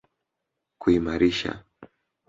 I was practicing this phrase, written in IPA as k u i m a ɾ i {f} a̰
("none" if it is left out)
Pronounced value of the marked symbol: ʃ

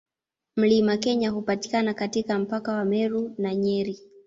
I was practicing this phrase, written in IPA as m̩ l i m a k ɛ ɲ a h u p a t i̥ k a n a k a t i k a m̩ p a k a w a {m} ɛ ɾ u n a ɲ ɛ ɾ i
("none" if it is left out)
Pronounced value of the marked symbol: m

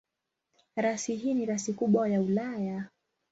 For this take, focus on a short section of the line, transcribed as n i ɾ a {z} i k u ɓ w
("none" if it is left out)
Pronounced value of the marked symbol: s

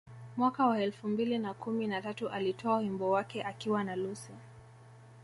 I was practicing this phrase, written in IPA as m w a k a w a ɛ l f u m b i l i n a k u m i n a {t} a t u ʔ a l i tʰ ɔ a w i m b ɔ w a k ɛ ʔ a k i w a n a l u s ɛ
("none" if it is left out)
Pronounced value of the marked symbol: t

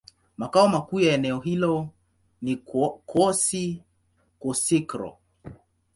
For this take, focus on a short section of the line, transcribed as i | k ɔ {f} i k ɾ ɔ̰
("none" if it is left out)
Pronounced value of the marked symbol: s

